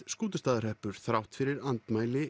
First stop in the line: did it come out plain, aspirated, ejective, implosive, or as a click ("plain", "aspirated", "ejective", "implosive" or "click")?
plain